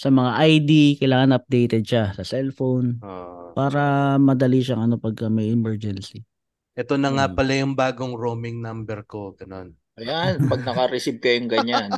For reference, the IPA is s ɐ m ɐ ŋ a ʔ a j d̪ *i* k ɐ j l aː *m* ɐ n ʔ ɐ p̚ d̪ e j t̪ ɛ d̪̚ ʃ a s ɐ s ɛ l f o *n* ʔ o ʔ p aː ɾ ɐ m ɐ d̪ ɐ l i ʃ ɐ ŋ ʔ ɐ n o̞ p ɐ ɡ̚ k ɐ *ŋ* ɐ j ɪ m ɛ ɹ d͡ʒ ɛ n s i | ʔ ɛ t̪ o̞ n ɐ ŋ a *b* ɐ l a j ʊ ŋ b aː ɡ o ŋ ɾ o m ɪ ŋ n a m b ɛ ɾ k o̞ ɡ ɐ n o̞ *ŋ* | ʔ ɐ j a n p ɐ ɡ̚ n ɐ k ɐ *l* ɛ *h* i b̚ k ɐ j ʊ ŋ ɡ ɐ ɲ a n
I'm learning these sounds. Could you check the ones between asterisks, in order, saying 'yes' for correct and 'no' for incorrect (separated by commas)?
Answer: yes, no, yes, no, no, no, no, no